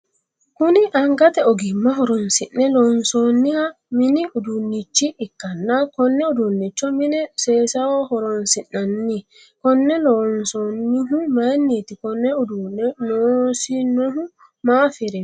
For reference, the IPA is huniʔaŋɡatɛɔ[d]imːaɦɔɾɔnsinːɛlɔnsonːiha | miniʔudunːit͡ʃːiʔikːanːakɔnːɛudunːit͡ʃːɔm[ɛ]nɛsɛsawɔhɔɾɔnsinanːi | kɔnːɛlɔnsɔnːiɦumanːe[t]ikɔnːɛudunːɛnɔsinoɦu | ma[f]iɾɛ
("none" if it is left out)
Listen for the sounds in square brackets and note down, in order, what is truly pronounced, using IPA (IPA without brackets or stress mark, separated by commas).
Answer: ɡ, i, t, f